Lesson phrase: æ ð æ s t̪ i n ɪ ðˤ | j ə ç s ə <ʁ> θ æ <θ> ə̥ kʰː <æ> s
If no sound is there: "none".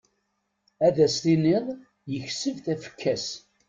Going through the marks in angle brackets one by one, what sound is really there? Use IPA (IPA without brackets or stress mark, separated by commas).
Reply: v, f, æ